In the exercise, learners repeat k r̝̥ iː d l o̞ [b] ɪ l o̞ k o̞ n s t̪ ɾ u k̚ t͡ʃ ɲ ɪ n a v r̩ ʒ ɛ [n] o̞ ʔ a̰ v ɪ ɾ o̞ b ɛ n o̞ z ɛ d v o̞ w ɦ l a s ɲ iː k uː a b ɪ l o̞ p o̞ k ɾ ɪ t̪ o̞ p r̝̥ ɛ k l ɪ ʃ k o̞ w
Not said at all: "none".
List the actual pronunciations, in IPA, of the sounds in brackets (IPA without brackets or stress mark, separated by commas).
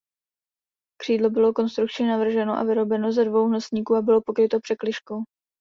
b, n